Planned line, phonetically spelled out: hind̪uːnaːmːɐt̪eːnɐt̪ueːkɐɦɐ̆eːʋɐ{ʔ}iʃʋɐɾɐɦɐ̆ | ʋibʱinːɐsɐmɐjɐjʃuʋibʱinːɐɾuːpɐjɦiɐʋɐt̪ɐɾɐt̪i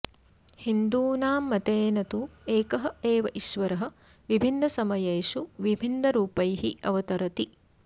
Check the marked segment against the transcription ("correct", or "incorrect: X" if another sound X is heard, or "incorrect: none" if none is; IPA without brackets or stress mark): correct